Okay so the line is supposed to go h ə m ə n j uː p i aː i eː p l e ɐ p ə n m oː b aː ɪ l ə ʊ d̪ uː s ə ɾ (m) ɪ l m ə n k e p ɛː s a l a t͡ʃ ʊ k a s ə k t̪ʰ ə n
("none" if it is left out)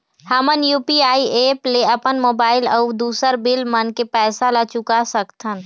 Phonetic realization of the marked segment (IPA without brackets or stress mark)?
b